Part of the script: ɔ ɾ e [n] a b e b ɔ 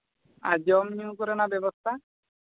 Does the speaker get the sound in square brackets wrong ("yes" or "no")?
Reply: no